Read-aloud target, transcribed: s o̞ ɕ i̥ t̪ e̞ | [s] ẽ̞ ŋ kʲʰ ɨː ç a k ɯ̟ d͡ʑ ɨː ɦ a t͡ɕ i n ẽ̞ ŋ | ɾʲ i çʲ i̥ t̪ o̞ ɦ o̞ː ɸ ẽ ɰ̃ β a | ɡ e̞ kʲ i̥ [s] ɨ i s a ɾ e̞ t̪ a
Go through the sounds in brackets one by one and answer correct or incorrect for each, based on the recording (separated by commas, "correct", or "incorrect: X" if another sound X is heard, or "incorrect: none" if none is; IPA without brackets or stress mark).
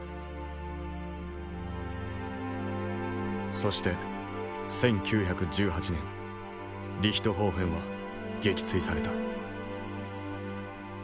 correct, incorrect: t͡s